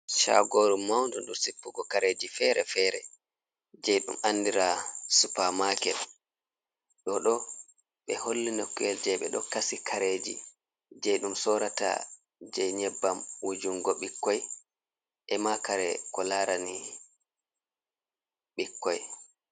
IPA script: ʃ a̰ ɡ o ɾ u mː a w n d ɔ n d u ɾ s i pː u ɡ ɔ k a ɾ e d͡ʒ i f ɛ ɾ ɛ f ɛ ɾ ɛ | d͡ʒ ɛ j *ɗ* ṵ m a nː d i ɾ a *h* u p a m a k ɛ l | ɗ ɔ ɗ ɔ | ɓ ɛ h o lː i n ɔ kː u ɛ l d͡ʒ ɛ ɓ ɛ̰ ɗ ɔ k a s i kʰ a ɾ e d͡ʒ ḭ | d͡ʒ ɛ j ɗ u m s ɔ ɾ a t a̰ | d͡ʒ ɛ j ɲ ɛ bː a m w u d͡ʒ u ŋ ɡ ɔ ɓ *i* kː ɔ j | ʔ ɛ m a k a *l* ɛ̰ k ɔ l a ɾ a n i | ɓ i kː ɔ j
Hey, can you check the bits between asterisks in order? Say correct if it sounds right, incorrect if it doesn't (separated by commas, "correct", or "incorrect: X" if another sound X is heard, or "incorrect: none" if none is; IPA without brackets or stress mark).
correct, incorrect: s, correct, incorrect: ɾ